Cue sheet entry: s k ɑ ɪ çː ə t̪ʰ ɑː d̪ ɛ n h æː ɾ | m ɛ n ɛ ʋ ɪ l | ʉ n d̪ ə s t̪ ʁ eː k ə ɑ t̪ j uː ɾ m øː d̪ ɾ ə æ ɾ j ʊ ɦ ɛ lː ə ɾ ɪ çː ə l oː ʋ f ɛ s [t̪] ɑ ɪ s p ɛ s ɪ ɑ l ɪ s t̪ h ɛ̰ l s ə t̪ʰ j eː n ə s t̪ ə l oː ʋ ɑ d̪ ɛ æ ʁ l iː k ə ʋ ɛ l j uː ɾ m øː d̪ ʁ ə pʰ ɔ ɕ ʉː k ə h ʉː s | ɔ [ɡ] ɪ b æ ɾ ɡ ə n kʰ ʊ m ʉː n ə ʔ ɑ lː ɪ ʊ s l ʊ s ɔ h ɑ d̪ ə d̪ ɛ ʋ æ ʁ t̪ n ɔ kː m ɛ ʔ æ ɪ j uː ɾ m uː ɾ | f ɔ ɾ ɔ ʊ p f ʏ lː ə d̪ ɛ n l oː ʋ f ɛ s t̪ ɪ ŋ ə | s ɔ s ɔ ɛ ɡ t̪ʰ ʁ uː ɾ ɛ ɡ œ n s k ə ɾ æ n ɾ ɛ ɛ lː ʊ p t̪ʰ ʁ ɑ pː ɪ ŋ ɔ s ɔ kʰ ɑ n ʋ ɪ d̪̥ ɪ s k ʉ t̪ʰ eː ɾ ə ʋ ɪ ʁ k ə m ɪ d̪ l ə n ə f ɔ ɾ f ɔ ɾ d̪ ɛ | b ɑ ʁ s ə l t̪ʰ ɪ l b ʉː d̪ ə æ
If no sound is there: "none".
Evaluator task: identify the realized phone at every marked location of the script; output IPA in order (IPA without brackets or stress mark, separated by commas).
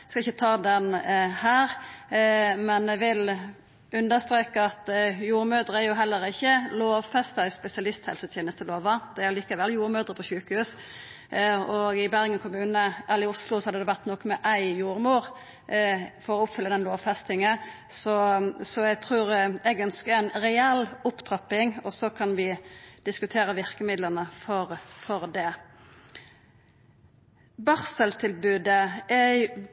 t̪, ɡ